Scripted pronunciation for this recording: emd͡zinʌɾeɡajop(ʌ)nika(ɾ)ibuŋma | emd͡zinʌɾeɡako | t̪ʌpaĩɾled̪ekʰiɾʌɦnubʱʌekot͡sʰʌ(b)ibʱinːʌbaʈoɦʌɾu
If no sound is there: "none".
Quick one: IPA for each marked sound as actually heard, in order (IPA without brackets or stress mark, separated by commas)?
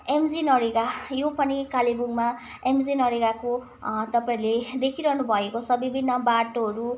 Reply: ʌ, l, b